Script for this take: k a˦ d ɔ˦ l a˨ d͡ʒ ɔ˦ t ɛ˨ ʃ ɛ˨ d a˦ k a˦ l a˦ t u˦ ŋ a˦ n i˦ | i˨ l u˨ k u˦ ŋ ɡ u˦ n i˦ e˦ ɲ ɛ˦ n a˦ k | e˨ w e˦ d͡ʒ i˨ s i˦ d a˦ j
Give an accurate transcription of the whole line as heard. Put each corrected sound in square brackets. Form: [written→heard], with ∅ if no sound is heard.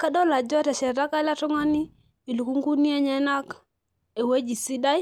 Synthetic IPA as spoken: k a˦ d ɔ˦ l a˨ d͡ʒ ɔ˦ t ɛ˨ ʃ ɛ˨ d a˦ k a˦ l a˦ t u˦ ŋ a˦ n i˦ | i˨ l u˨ k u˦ ŋ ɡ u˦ n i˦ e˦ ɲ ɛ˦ n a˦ k | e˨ w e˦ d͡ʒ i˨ s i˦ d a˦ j